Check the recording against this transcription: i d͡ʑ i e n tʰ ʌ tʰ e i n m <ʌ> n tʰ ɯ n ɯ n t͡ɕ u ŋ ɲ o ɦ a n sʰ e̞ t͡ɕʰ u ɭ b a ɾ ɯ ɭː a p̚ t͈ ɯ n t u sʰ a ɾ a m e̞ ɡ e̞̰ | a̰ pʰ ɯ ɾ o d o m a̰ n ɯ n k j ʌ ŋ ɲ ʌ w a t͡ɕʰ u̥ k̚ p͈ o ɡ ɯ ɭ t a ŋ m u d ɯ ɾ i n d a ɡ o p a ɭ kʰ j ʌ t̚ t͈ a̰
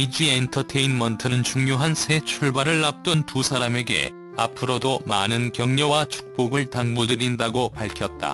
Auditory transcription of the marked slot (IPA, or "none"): ʌ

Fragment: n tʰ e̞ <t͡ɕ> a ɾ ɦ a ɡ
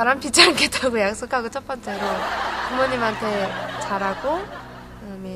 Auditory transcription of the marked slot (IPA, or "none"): t͡ɕ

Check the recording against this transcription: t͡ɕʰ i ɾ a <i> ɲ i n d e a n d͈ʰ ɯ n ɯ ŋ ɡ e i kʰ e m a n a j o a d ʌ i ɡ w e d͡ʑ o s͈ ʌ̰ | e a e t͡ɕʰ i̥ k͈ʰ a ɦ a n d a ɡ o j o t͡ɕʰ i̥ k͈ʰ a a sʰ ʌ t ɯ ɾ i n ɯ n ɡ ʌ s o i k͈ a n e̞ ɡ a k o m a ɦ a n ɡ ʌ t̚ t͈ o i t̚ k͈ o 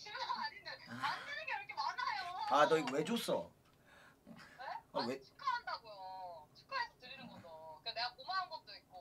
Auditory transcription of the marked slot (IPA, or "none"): a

